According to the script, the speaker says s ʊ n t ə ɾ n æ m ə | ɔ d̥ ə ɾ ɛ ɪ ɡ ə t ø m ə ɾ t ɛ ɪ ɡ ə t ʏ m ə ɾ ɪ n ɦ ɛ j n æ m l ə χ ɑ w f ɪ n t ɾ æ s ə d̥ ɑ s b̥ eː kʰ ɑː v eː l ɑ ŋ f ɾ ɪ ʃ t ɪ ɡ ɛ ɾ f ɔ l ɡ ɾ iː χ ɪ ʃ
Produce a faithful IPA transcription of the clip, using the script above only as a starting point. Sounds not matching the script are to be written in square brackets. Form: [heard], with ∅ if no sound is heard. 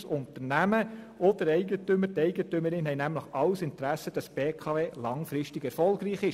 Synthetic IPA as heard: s ʊ n t ə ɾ n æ m ə | ɔ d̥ ə ɾ ɛ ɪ ɡ ə t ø m ə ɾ t ɛ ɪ ɡ ə t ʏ m ə ɾ ɪ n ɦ ɛ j n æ m l ə χ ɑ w [s] ɪ n t ɾ æ s ə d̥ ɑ s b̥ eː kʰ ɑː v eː l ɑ ŋ f ɾ ɪ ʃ t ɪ ɡ ɛ ɾ f ɔ l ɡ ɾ iː χ ɪ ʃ